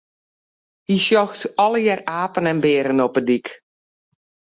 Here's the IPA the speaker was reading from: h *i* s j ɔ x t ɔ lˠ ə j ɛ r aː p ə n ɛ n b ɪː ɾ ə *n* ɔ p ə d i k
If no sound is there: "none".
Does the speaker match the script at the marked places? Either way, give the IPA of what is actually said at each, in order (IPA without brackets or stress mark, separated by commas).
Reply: i, n